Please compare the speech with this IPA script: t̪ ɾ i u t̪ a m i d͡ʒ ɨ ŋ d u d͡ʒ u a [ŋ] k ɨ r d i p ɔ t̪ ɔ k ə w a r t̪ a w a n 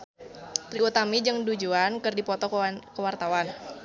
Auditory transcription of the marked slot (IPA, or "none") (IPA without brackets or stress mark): n